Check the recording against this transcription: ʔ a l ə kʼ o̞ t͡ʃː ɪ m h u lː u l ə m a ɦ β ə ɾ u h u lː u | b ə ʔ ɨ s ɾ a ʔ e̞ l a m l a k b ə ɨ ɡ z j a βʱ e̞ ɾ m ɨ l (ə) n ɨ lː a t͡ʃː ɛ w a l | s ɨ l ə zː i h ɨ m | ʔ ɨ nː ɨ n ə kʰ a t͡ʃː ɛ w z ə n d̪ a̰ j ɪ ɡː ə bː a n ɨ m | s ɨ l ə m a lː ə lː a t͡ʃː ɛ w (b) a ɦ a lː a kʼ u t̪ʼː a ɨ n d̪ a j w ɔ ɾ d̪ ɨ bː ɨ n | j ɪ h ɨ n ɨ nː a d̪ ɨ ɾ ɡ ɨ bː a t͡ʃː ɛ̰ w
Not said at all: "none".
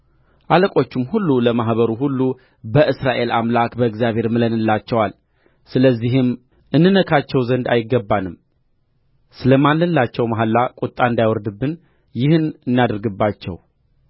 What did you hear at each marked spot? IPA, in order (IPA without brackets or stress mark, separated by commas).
ə, m